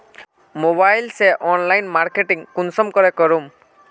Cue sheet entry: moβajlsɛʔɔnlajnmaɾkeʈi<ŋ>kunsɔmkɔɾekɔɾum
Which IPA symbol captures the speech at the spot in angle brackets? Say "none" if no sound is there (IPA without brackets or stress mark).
ŋ